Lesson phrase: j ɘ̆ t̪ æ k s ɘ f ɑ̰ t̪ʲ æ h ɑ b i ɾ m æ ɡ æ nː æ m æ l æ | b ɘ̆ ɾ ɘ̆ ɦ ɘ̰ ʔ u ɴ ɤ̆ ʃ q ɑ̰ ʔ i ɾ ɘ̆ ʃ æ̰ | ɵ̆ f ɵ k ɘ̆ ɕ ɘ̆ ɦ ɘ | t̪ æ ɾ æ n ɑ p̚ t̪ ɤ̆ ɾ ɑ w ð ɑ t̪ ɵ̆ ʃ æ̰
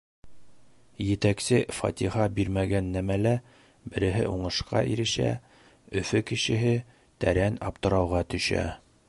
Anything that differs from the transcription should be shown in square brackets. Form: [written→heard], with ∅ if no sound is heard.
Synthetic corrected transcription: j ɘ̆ t̪ æ k s ɘ f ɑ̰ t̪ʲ [æ→i] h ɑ b i ɾ m æ ɡ æ nː æ m æ l æ | b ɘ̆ ɾ ɘ̆ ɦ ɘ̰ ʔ u ɴ ɤ̆ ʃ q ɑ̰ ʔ i ɾ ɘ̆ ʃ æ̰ | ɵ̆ f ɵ k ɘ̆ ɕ ɘ̆ ɦ ɘ | t̪ æ ɾ æ n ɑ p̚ t̪ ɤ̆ ɾ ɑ w [ð→ʁ] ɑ t̪ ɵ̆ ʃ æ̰